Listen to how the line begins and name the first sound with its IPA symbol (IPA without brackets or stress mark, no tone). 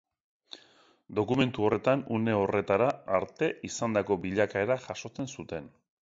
d̪